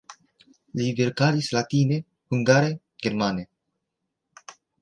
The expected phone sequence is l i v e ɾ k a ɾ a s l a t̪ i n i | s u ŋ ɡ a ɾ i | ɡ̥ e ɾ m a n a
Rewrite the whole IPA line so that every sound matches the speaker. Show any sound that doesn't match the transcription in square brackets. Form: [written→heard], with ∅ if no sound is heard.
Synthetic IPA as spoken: l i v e ɾ k a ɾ [a→i] s l a t̪ i n [i→e] | [s→h] u ŋ ɡ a ɾ [i→e] | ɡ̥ e ɾ m a n [a→e]